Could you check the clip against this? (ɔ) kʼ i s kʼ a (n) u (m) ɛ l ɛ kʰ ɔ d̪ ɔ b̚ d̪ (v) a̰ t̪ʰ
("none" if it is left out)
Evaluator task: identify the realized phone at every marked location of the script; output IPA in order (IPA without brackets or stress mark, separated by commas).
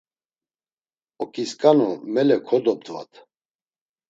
ɔ, n, m, v